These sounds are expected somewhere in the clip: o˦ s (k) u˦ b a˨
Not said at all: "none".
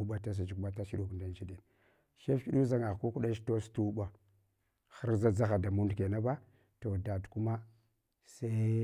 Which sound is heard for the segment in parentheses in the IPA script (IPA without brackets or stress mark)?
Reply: t